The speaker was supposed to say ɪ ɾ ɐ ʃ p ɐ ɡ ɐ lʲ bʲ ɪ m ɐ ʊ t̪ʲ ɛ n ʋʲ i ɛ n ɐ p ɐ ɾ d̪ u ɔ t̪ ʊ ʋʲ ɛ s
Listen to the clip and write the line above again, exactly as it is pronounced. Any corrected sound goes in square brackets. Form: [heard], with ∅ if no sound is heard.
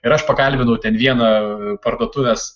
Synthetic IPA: ɪ ɾ ɐ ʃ p ɐ [k] ɐ lʲ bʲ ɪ [n] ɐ ʊ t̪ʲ ɛ n ʋʲ i ɛ n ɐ p ɐ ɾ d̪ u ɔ t̪ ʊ ʋʲ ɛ s

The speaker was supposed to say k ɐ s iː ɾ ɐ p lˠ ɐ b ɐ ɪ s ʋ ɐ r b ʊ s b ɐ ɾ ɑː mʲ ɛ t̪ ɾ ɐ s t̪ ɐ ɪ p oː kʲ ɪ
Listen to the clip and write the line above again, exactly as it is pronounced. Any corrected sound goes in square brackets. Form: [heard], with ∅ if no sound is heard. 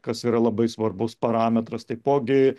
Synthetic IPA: k ɐ s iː ɾ ɐ [∅] lˠ ɐ b ɐ ɪ s ʋ ɐ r b ʊ s [p] ɐ ɾ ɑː mʲ ɛ t̪ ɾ ɐ s t̪ ɐ ɪ p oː [ɡʲ] ɪ

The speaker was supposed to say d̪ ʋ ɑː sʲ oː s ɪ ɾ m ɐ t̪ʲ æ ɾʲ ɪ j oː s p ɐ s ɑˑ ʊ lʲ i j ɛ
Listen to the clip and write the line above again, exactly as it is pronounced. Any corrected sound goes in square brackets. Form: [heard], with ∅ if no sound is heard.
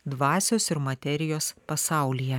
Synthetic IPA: d̪ ʋ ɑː sʲ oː s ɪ ɾ m ɐ t̪ʲ [ɛ] ɾʲ ɪ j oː s p ɐ s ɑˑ ʊ lʲ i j ɛ

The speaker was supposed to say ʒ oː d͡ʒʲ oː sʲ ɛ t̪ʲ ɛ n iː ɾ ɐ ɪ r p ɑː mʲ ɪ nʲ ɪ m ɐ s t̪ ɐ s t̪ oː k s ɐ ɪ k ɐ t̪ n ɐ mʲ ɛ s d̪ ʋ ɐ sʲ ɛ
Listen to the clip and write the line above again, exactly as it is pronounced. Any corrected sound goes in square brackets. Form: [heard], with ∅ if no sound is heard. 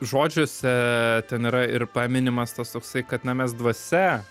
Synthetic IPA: ʒ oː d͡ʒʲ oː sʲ ɛ t̪ʲ ɛ n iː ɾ ɐ ɪ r p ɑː mʲ ɪ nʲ ɪ m ɐ s t̪ ɐ s t̪ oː k s ɐ ɪ k ɐ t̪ n ɐ mʲ ɛ s d̪ ʋ ɐ sʲ ɛ

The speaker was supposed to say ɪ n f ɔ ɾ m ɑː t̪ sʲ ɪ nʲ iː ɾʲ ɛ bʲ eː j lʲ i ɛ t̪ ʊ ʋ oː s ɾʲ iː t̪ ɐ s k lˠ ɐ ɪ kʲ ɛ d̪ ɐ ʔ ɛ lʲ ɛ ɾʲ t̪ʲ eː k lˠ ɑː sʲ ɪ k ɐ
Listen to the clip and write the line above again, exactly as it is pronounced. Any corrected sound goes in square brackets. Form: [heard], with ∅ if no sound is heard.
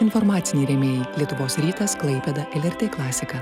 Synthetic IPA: ɪ n f ɔ ɾ m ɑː t̪ sʲ ɪ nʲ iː ɾʲ ɛ [mʲ] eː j lʲ i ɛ t̪ ʊ ʋ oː s ɾʲ iː t̪ ɐ s k lˠ ɐ ɪ [pʲ] ɛ d̪ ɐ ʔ ɛ lʲ ɛ ɾʲ t̪ʲ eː k lˠ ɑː sʲ ɪ k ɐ

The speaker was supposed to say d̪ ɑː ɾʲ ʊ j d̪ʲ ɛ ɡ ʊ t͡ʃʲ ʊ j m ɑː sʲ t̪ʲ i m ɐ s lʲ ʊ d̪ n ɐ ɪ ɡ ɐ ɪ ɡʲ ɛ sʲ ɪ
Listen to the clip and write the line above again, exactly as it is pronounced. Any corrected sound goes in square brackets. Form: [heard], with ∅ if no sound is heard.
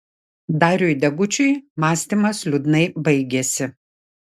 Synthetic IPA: d̪ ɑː ɾʲ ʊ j d̪ʲ ɛ ɡ ʊ t͡ʃʲ ʊ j m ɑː sʲ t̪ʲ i m ɐ s lʲ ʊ d̪ n ɐ ɪ [b] ɐ ɪ ɡʲ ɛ sʲ ɪ

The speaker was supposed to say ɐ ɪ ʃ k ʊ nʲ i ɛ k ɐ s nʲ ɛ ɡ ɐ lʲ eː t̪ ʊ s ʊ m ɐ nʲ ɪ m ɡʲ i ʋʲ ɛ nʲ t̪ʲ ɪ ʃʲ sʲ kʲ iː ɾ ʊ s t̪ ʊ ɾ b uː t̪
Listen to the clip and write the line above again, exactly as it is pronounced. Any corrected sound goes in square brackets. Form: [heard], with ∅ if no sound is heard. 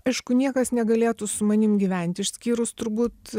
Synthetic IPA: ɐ ɪ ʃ k ʊ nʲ i ɛ k ɐ s nʲ ɛ ɡ ɐ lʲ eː t̪ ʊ s ʊ m ɐ nʲ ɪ m ɡʲ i ʋʲ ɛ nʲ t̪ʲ ɪ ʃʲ sʲ kʲ iː ɾ ʊ s t̪ ʊ ɾ b uː t̪

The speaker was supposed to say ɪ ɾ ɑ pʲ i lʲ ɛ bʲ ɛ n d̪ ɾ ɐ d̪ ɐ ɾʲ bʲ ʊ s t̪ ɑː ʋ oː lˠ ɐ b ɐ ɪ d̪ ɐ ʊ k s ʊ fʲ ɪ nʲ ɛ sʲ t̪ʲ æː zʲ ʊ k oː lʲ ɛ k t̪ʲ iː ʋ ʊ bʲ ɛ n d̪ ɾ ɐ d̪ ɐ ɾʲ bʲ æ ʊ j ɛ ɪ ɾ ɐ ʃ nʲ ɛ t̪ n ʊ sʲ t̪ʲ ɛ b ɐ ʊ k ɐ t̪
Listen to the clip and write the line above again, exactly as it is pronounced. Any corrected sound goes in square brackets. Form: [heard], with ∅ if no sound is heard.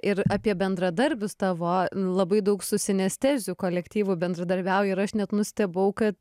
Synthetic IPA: ɪ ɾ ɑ pʲ i [∅] ɛ bʲ ɛ n d̪ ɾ ɐ d̪ ɐ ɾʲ bʲ ʊ s t̪ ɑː ʋ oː lˠ ɐ b ɐ ɪ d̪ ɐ ʊ k s ʊ [sʲ] ɪ nʲ ɛ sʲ t̪ʲ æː zʲ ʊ k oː lʲ ɛ k t̪ʲ iː ʋ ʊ bʲ ɛ n d̪ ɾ ɐ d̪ ɐ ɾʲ bʲ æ ʊ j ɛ ɪ ɾ ɐ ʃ nʲ ɛ t̪ n ʊ sʲ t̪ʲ ɛ b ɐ ʊ k ɐ t̪

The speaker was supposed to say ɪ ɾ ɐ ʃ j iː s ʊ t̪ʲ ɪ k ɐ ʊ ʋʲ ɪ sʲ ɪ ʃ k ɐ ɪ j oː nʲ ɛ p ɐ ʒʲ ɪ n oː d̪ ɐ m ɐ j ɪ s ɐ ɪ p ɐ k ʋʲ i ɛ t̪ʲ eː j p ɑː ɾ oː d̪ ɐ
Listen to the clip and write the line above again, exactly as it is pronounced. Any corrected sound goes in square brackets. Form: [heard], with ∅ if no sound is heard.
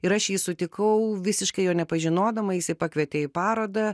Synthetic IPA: ɪ ɾ ɐ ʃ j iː s ʊ t̪ʲ ɪ k ɐ ʊ ʋʲ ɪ sʲ ɪ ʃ k ɐ ɪ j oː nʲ ɛ p ɐ ʒʲ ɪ n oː d̪ ɐ m ɐ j ɪ s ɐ ɪ p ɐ k ʋʲ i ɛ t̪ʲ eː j p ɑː ɾ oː d̪ ɐ

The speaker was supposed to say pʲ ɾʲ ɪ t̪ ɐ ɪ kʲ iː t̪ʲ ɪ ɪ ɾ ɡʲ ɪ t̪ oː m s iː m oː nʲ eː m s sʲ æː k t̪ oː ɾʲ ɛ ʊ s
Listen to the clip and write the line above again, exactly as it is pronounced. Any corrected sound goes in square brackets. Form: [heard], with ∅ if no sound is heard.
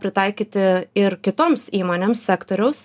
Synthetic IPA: pʲ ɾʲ ɪ t̪ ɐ ɪ kʲ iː t̪ʲ ɪ ɪ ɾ [kʲ] ɪ t̪ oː m s iː m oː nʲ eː m s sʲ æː k t̪ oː ɾʲ ɛ ʊ s

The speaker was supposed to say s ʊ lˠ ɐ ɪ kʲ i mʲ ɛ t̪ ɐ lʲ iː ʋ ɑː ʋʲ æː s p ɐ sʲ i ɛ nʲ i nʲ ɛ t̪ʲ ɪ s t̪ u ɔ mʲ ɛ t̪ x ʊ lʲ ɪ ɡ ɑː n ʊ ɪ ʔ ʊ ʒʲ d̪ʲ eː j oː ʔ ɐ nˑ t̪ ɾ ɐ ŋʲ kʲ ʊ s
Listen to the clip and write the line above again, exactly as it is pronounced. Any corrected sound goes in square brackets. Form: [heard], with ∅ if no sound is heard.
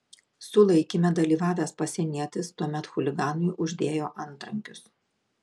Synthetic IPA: s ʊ lˠ ɐ ɪ kʲ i mʲ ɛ [d̪] ɐ lʲ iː ʋ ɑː ʋʲ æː s p ɐ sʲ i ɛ nʲ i [∅] ɛ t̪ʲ ɪ s t̪ u ɔ mʲ ɛ t̪ x ʊ lʲ ɪ ɡ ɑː n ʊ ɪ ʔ ʊ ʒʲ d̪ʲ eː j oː ʔ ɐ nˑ t̪ ɾ ɐ ŋʲ kʲ ʊ s

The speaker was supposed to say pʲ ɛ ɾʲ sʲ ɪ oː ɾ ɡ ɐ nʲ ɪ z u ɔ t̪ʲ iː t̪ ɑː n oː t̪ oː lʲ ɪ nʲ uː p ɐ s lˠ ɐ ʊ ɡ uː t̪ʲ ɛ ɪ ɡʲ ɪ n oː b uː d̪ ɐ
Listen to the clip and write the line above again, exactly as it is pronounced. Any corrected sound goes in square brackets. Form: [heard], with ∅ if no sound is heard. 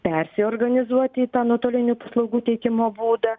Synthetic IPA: pʲ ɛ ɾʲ sʲ ɪ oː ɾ ɡ ɐ nʲ ɪ z u ɔ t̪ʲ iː t̪ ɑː n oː t̪ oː lʲ ɪ nʲ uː p ɐ s lˠ ɐ ʊ ɡ uː t̪ʲ ɛ ɪ [kʲ] ɪ [m] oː b uː d̪ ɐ

